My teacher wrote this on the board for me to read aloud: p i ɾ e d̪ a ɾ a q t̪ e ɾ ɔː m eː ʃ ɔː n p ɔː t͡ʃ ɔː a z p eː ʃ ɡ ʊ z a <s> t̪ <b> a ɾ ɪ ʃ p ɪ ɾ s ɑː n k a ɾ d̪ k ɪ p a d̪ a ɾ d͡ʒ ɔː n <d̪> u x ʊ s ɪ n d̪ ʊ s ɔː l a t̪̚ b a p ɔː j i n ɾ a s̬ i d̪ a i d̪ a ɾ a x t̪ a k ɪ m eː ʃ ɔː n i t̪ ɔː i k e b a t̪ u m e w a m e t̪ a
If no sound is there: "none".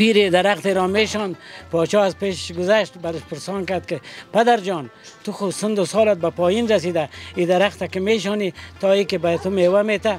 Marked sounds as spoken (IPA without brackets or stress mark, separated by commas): ʃ, b, t̪